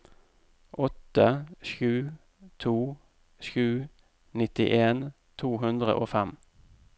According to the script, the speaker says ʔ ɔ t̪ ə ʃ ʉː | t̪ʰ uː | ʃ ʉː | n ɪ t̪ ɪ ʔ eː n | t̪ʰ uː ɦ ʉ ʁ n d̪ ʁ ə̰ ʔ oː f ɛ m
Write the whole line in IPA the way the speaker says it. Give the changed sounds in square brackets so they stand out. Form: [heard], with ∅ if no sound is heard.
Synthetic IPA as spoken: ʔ ɔ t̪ ə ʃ ʉː | t̪ʰ uː | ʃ ʉː | n ɪ t̪ ɪ ʔ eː n | t̪ʰ uː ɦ ʉ [∅] n d̪ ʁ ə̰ ʔ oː f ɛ m

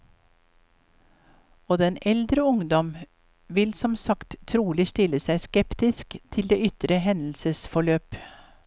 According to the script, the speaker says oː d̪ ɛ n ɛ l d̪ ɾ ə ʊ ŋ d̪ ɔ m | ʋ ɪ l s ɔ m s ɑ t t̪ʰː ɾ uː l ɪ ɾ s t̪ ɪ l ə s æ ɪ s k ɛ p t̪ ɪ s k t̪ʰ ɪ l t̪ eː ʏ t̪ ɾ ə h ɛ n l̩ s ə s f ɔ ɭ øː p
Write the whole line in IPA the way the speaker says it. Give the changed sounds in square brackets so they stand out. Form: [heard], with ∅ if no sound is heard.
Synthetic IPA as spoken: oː d̪ ɛ n ɛ l d̪ ɾ ə ʊ ŋ d̪ ɔ m | ʋ ɪ l s ɔ m s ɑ [k] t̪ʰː ɾ uː l ɪ [∅] s t̪ ɪ l ə s æ ɪ s k ɛ p t̪ ɪ s k t̪ʰ ɪ l [d̪] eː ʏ t̪ ɾ ə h ɛ n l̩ s ə s f ɔ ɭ øː p

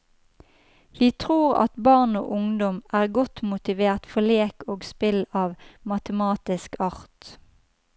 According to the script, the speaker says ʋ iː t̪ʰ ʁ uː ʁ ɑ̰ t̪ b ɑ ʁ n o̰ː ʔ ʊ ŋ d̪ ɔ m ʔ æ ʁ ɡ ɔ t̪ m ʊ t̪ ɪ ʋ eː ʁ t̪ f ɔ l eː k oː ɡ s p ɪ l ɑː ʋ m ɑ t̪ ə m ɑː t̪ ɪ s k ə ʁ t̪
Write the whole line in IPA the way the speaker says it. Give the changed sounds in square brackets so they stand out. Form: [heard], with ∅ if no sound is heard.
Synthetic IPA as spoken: ʋ iː t̪ʰ ʁ uː ʁ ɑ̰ t̪ b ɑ ʁ n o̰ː ʔ ʊ ŋ d̪ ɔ m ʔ [æː] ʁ ɡ ɔ t̪ m ʊ t̪ ɪ ʋ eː ʁ t̪ f ɔ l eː k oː ɡ s p ɪ l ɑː ʋ m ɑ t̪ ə m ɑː t̪ ɪ s k [ɑ] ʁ t̪

